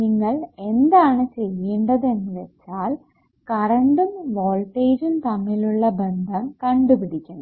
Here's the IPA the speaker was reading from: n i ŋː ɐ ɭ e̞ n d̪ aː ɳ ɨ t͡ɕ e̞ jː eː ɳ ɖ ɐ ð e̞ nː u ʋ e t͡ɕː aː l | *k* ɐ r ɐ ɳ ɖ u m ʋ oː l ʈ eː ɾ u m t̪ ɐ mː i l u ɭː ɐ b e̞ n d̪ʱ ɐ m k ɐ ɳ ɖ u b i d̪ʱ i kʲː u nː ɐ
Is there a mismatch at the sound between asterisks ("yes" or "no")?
no